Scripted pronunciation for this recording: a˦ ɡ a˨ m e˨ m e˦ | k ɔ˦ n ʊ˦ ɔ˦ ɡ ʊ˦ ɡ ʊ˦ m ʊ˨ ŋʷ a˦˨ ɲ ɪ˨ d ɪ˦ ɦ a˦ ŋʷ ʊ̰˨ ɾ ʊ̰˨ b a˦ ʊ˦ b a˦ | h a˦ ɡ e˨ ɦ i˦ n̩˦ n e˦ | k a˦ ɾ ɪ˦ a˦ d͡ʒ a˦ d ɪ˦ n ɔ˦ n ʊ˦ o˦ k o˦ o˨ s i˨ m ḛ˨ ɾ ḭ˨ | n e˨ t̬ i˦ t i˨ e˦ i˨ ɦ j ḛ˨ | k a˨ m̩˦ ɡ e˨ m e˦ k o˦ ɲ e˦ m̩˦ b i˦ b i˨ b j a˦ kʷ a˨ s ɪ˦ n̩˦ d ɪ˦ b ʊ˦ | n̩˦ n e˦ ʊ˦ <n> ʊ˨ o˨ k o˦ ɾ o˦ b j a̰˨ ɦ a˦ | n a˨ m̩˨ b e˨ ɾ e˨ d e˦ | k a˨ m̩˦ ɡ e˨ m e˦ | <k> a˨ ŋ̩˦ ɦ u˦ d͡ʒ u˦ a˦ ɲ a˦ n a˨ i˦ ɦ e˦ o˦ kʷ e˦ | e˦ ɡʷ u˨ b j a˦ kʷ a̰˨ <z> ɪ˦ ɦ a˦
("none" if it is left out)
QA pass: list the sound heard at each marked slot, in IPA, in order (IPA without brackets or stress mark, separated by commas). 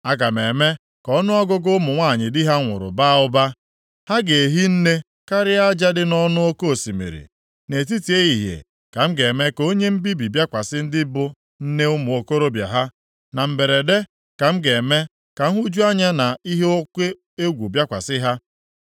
m, k, s